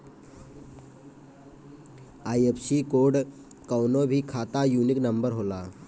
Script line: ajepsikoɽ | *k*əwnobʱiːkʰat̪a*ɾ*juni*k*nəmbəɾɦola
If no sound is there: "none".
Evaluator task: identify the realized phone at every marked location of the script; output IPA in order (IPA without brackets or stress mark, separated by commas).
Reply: k, none, k